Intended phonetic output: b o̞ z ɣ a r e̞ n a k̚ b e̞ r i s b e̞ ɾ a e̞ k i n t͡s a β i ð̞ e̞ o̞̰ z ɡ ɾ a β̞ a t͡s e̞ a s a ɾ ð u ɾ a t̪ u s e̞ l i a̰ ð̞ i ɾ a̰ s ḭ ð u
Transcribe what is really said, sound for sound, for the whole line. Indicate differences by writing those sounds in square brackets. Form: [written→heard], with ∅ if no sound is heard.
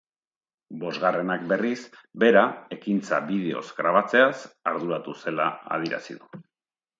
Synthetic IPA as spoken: b o̞ z ɣ a r e̞ n a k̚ b e̞ r i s b e̞ ɾ a e̞ k i n t͡s a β i ð̞ e̞ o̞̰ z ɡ ɾ a β̞ a t͡s e̞ a s a ɾ ð u ɾ a t̪ u s e̞ l [i→a] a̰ ð̞ i ɾ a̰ s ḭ ð u